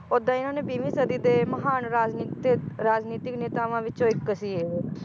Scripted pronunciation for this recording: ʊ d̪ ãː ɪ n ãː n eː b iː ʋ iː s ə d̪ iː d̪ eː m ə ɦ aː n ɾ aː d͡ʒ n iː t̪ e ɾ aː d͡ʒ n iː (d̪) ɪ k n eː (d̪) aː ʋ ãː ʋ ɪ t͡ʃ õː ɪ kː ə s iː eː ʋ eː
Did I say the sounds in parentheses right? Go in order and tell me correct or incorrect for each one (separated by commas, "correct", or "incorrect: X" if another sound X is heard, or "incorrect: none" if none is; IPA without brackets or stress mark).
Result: incorrect: t̪, incorrect: t̪